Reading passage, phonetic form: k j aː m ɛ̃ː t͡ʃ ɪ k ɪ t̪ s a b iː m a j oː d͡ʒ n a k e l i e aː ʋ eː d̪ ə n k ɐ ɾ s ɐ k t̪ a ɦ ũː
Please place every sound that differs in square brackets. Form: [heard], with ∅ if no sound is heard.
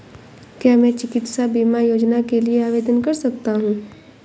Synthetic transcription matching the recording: k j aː m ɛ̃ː t͡ʃ ɪ k ɪ t̪ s a b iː m a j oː d͡ʒ n a k e l i e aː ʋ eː d̪ ə n k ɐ ɾ s ɐ k t̪ a ɦ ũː